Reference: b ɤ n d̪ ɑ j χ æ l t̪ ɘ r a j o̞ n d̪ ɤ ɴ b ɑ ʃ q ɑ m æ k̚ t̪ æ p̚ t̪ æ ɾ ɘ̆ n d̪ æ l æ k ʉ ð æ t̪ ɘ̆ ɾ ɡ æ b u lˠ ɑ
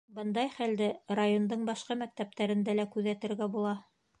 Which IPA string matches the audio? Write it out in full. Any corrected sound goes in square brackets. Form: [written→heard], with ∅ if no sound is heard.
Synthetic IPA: b ɤ n d̪ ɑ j χ æ l [t̪→d̪] ɘ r a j o̞ n d̪ ɤ ɴ b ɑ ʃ q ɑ m æ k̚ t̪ æ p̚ t̪ æ ɾ ɘ̆ n d̪ æ l æ k ʉ ð æ t̪ ɘ̆ ɾ ɡ æ b u lˠ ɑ